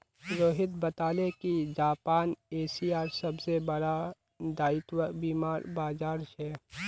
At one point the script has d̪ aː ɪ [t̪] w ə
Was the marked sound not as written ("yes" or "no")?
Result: no